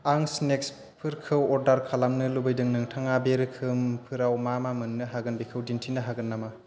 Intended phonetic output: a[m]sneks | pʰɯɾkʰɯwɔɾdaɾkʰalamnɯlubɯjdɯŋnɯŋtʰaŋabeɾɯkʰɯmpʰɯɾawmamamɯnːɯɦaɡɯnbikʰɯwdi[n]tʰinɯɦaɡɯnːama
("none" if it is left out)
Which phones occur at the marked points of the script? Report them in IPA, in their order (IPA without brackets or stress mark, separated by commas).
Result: ŋ, n